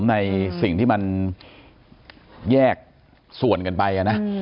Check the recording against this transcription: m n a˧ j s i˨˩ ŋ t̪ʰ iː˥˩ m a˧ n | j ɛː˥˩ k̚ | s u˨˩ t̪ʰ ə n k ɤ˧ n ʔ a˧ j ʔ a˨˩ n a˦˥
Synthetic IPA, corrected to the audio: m n a˧ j s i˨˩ ŋ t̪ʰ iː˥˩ m a˧ n | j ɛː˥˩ k̚ | s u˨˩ ə n k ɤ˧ n p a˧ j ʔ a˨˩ n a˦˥